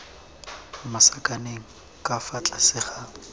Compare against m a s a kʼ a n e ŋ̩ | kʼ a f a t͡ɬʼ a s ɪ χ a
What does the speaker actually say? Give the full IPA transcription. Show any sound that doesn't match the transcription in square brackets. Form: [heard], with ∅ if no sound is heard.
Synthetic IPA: m a s a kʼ a n e ŋ̩ | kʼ a f a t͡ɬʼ a s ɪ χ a